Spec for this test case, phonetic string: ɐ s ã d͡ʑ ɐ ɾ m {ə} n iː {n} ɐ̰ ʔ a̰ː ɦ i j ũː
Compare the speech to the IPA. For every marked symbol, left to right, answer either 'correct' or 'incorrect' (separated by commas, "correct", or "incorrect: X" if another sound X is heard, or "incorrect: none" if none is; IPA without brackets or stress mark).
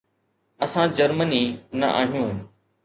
correct, correct